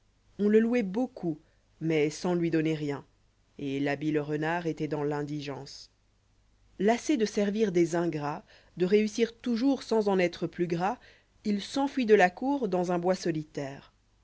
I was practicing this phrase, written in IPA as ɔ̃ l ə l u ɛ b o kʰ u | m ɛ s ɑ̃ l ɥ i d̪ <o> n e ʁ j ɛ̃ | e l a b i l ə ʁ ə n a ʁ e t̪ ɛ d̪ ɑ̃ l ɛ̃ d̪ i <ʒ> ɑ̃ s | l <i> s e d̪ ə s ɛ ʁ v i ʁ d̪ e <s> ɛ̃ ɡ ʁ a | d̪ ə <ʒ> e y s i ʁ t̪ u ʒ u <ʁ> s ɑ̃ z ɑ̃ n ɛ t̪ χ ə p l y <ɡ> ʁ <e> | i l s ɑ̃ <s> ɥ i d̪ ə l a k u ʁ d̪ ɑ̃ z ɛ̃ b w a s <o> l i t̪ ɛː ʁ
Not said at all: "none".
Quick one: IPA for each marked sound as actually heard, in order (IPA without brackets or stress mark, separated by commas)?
ɔ, ʒ, a, z, ʁ, ʁ, ɡ, a, f, ɔ